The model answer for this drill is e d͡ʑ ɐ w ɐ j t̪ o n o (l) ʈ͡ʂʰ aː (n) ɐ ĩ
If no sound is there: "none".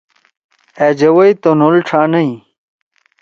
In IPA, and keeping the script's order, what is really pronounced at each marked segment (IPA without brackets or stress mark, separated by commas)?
l, n